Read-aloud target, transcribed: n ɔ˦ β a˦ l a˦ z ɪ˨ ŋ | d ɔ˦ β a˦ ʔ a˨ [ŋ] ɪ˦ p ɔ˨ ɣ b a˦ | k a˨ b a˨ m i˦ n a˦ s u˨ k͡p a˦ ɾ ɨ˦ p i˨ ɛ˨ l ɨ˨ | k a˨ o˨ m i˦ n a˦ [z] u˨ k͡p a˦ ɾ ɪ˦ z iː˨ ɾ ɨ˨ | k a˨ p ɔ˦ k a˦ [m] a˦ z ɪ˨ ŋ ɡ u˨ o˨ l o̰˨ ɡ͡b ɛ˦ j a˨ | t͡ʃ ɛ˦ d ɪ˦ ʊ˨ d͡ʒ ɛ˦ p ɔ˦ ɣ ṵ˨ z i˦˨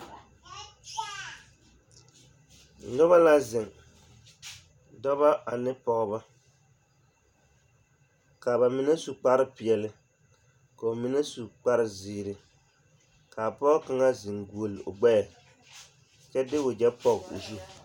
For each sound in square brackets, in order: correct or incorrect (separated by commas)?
incorrect, incorrect, incorrect